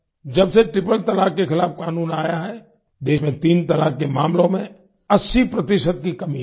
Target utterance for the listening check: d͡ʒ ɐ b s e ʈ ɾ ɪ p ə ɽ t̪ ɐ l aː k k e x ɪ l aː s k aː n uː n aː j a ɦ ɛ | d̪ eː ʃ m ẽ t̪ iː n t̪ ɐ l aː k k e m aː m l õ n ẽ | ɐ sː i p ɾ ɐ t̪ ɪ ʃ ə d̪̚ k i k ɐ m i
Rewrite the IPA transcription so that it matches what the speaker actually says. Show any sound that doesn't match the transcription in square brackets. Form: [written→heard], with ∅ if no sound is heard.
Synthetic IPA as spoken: d͡ʒ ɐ b s e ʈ ɾ ɪ p ə [ɽ→l] t̪ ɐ l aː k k e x ɪ l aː [s→f] k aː n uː n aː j a ɦ ɛ | d̪ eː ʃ m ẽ t̪ iː n t̪ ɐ l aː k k e m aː m l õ [n→m] ẽ | ɐ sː i p ɾ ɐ t̪ ɪ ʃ ə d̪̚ k i k ɐ m i